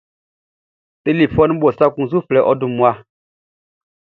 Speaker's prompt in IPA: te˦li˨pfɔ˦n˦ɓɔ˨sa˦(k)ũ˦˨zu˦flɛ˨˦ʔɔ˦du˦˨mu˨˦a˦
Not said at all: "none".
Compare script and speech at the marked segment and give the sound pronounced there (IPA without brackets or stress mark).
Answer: k